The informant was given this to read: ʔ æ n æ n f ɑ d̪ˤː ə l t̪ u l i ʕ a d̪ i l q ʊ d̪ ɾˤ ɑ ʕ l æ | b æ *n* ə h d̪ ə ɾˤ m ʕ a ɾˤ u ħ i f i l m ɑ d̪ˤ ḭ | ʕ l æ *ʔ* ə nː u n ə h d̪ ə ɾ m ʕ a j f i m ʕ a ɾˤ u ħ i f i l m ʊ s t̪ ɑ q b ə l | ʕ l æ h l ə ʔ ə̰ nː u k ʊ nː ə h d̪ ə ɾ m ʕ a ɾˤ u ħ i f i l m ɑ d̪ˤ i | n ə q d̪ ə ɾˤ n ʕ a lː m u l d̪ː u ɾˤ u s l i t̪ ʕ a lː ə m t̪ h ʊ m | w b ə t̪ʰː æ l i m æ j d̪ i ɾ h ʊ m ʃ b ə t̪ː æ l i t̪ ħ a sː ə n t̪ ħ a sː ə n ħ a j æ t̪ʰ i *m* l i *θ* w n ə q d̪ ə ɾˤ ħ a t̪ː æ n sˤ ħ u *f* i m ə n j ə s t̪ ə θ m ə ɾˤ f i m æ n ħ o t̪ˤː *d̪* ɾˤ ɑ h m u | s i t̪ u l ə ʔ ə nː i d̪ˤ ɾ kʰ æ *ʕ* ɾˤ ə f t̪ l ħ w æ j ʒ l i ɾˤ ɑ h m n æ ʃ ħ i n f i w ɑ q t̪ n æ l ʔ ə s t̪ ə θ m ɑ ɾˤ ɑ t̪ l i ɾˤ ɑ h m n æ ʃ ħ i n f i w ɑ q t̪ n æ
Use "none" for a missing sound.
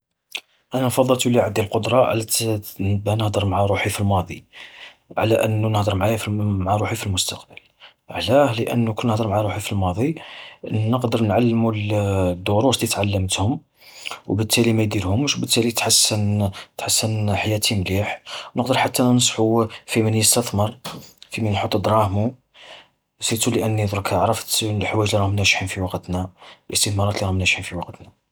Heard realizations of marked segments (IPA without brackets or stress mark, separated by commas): n, ʔ, m, ħ, f, d̪, ʕ